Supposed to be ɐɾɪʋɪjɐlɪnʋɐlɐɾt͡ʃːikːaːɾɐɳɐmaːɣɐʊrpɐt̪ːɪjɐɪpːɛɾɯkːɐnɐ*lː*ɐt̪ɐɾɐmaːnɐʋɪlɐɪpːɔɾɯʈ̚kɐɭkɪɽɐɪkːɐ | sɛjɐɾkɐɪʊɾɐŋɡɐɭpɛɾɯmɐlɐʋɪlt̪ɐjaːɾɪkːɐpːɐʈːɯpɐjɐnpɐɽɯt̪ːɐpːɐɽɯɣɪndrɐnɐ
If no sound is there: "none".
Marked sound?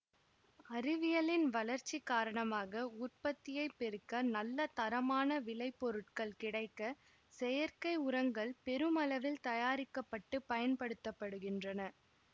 lː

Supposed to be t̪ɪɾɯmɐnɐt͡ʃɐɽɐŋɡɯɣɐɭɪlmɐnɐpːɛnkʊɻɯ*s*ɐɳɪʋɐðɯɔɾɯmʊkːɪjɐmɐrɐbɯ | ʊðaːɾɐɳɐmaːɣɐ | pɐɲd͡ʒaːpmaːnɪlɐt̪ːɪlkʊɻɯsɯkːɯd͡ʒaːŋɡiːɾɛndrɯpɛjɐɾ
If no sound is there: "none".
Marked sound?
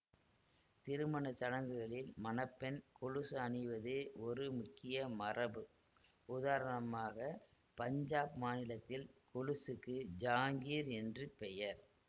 s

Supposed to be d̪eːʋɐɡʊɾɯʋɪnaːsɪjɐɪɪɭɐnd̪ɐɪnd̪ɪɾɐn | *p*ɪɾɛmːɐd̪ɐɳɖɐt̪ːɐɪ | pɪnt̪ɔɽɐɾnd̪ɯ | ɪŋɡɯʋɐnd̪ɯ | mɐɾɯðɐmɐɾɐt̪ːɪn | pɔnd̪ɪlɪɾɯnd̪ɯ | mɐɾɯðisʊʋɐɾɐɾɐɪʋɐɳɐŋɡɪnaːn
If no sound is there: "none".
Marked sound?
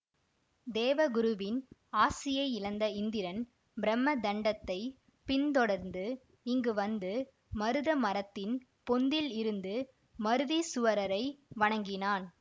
b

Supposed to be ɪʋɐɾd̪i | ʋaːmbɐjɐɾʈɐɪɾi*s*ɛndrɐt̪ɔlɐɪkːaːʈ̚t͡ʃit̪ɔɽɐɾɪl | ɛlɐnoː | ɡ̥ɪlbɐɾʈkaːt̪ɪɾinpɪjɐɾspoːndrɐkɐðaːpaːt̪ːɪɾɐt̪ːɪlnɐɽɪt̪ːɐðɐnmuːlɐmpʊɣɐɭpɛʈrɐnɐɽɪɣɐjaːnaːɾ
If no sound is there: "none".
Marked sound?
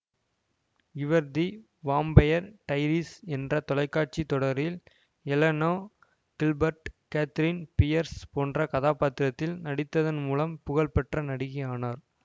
s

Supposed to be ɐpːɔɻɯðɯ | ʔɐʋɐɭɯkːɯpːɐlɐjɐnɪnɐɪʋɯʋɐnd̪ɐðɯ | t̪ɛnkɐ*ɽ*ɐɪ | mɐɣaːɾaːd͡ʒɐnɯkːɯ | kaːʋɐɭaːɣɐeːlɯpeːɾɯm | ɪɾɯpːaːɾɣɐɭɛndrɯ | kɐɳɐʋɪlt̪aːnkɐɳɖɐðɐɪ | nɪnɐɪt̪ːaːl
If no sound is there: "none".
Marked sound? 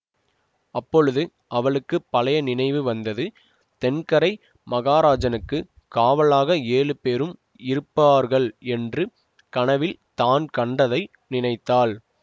ɾ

